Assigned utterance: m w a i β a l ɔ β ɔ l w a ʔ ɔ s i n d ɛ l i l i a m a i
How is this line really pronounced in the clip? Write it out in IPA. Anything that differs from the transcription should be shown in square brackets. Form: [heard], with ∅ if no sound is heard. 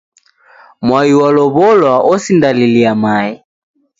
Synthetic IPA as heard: m w a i [w] a l ɔ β ɔ l w a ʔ ɔ s i n d [a] l i l i a m a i

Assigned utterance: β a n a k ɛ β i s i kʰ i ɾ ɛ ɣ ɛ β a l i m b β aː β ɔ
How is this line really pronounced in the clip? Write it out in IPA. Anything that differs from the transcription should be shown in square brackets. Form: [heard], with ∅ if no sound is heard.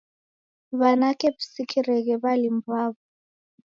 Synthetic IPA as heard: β a n a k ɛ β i s i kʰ i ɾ ɛ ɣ ɛ β a l i m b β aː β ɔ

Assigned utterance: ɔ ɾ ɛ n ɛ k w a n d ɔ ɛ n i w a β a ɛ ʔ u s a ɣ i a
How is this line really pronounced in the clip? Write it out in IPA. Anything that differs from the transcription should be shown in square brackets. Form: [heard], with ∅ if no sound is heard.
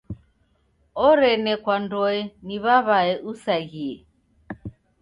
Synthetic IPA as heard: ɔ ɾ ɛ n ɛ k w a n d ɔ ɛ n i [β] a β a ɛ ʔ u s a ɣ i [ɛ]

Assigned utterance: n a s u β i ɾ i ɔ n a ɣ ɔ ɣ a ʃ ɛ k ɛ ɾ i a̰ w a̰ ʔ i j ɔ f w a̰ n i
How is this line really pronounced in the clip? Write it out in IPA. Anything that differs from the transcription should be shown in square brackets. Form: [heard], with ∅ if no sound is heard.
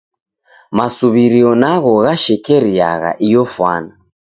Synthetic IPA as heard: [m] a s u β i ɾ i ɔ n a ɣ ɔ ɣ a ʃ ɛ k ɛ ɾ i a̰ [ɣ] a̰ ʔ i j ɔ f w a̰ n [a]

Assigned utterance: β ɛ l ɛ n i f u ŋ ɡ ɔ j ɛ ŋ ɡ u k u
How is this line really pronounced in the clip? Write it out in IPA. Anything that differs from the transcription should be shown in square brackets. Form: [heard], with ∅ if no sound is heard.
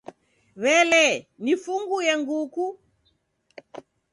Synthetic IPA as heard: β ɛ l ɛ n i f u ŋ ɡ [u] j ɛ ŋ ɡ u k u

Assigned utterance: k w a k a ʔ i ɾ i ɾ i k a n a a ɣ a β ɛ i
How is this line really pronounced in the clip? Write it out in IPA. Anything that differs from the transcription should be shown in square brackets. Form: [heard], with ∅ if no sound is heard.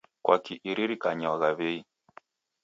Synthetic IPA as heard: k w a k [i] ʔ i ɾ i ɾ i k a [ɲ] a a ɣ a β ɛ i

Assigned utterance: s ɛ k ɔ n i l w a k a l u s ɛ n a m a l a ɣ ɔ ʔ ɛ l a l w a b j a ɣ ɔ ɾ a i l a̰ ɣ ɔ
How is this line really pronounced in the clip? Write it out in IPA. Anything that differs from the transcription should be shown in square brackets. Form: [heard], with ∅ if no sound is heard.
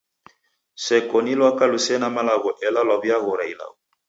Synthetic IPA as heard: s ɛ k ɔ n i l w a k a l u s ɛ n a m a l a ɣ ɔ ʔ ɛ l a l w a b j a ɣ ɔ ɾ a i l a̰ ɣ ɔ

